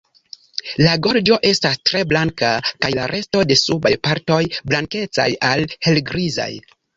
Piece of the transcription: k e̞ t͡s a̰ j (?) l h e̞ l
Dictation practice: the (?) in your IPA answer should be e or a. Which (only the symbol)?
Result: a